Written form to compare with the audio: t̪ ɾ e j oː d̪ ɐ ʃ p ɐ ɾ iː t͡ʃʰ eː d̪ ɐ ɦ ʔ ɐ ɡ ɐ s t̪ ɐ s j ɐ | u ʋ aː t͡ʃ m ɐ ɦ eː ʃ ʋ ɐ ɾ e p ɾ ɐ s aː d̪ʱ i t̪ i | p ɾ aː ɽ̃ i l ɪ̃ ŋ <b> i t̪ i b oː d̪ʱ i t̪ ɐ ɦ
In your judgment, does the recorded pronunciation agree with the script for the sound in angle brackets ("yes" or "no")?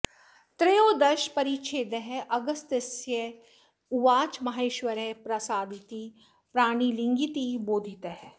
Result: no